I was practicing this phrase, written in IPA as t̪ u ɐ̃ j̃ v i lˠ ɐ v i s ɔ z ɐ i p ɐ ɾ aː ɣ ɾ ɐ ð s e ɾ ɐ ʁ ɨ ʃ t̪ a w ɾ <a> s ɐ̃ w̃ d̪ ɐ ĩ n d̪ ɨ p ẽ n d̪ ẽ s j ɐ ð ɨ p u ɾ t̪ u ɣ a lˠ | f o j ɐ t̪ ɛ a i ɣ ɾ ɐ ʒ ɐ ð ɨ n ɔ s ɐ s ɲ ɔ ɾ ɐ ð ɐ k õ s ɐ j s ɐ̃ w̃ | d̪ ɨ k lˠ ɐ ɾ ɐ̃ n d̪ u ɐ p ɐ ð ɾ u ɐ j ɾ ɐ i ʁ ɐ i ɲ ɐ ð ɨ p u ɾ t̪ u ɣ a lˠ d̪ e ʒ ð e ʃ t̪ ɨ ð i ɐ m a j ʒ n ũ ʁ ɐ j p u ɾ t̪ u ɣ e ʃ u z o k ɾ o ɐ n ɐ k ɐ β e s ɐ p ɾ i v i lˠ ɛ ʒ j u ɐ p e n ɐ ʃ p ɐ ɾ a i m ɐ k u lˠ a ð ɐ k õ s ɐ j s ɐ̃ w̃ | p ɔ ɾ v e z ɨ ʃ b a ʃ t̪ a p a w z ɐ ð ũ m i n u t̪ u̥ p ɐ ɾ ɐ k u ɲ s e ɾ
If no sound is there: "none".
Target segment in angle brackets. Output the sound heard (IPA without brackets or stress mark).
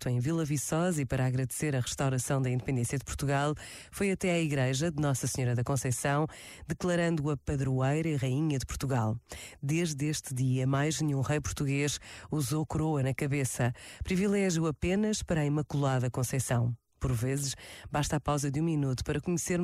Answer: ɐ